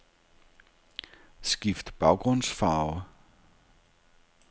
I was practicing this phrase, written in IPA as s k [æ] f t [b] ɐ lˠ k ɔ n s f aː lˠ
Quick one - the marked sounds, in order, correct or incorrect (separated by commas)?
incorrect, correct